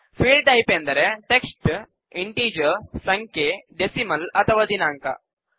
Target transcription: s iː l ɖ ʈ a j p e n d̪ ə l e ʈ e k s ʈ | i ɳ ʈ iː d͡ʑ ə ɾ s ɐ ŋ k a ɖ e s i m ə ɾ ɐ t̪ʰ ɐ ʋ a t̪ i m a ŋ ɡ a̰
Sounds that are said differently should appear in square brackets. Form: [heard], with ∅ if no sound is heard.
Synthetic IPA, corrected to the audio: [f] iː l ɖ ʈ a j p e n d̪ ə [ɾ] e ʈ e k s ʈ | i ɳ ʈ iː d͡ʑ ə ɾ s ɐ ŋ k [e] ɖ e s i m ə [l] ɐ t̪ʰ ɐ ʋ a [d̪] i [n] a ŋ [k] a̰